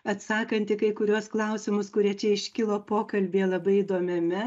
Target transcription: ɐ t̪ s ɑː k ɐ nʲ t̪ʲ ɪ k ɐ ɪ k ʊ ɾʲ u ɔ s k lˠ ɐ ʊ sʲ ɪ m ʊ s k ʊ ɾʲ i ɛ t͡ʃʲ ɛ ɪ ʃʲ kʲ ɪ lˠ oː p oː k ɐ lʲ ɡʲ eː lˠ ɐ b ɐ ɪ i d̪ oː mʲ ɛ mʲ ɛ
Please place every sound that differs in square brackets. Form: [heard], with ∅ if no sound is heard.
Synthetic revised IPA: ɐ t̪ s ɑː k ɐ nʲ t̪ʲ ɪ k ɐ ɪ k ʊ ɾʲ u ɔ s k lˠ ɐ ʊ sʲ ɪ m ʊ s k ʊ ɾʲ i ɛ t͡ʃʲ ɛ ɪ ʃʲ kʲ ɪ lˠ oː p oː k ɐ lʲ [bʲ] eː lˠ ɐ b ɐ ɪ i d̪ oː mʲ ɛ mʲ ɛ

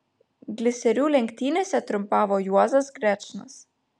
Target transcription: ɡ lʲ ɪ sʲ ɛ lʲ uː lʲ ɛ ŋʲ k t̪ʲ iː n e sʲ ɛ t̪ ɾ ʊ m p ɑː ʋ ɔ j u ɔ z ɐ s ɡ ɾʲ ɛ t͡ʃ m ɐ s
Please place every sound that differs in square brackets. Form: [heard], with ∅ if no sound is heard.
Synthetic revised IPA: ɡ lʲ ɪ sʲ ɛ [ɾʲ] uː lʲ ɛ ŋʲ k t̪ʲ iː n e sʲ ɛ t̪ ɾ ʊ m p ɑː ʋ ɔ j u ɔ z ɐ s ɡ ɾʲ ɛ t͡ʃ [n] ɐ s

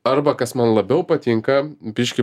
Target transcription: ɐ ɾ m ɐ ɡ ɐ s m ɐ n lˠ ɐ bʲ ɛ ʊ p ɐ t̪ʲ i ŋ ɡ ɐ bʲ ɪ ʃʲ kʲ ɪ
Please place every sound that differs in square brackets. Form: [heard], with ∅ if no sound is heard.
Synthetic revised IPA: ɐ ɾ [b] ɐ [k] ɐ s m ɐ n lˠ ɐ bʲ ɛ ʊ p ɐ t̪ʲ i ŋ [k] ɐ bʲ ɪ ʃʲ kʲ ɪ

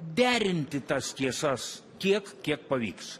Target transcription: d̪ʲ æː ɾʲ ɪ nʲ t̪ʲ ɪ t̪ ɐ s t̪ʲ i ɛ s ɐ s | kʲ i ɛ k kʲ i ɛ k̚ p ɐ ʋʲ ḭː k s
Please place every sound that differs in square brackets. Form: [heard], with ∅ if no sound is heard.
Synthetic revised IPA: d̪ʲ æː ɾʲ ɪ nʲ t̪ʲ ɪ t̪ ɐ s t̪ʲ i ɛ s ɐ s | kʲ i ɛ k kʲ i ɛ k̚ p ɐ ʋʲ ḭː k s

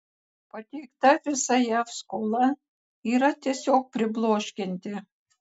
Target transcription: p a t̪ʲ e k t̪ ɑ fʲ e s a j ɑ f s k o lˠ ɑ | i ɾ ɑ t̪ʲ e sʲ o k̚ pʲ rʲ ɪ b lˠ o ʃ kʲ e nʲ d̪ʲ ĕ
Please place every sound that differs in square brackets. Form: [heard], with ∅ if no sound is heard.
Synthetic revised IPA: p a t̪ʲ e k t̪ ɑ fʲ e s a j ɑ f s k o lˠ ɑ | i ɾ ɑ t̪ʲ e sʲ o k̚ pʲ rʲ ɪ b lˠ o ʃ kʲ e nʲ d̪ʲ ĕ

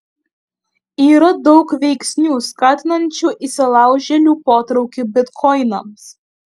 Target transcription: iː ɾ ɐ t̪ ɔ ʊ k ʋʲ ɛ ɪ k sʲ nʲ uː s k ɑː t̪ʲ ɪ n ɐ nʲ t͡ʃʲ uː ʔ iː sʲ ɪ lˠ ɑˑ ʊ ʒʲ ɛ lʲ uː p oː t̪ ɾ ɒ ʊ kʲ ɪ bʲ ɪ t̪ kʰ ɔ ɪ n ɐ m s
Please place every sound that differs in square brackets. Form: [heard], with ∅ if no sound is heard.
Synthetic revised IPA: iː ɾ ɐ [d̪] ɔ ʊ k ʋʲ ɛ ɪ k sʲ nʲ uː s k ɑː t̪ʲ ɪ n ɐ nʲ t͡ʃʲ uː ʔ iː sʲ ɪ lˠ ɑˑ ʊ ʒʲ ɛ lʲ uː p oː t̪ ɾ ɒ ʊ kʲ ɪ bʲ ɪ t̪ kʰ ɔ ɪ n ɐ m s

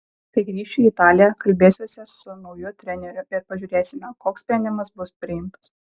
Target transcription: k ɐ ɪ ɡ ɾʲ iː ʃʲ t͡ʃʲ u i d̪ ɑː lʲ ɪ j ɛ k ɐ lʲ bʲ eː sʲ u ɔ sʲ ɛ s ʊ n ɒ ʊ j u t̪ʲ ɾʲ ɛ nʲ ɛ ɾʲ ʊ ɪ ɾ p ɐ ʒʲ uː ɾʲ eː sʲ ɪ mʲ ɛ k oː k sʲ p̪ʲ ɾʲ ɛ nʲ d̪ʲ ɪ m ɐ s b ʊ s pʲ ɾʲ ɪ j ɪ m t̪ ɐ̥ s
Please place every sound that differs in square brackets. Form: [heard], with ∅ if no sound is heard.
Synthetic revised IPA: k ɐ ɪ ɡ ɾʲ iː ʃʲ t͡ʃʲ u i [t̪] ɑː lʲ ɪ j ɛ k ɐ lʲ bʲ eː sʲ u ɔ sʲ ɛ s ʊ n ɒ ʊ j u t̪ʲ ɾʲ ɛ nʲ ɛ ɾʲ ʊ ɪ ɾ p ɐ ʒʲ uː ɾʲ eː sʲ ɪ mʲ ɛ k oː k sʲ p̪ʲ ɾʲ ɛ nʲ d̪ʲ ɪ m ɐ s b ʊ s pʲ ɾʲ ɪ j ɪ m t̪ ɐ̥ s

